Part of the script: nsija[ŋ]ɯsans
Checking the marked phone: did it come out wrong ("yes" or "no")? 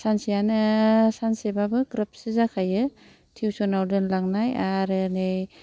yes